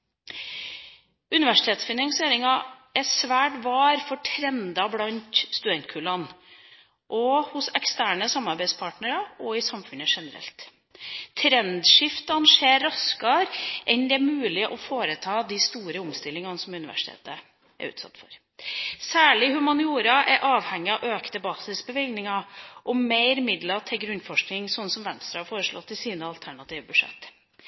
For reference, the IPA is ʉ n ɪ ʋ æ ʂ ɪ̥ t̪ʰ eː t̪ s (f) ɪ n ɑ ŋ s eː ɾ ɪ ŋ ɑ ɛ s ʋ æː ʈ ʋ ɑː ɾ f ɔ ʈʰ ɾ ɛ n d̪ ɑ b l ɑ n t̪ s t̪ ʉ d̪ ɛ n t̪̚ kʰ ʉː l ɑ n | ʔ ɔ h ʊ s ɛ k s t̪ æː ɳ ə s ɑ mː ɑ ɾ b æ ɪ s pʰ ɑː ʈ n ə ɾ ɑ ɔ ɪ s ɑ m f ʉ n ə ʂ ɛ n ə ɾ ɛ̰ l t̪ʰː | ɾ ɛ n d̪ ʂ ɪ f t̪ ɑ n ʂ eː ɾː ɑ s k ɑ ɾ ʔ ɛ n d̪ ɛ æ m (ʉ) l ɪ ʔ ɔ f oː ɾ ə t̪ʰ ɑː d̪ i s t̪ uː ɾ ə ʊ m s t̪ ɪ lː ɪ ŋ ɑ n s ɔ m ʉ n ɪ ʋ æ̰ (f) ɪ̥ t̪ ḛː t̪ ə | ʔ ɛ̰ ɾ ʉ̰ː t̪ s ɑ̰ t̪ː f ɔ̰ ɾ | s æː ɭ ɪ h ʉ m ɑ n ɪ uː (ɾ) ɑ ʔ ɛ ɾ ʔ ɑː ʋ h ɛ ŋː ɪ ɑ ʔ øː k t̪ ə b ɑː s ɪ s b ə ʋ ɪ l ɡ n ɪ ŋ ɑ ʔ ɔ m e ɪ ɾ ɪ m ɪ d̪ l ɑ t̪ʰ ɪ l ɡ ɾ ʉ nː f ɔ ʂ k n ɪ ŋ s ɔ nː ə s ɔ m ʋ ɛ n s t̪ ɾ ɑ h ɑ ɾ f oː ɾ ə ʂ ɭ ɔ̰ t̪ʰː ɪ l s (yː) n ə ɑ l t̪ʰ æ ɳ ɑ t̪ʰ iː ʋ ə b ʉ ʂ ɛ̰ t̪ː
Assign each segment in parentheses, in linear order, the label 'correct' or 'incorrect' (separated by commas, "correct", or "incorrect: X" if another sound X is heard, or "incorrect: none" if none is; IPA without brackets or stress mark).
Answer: correct, incorrect: ʉː, incorrect: ʂ, correct, incorrect: iː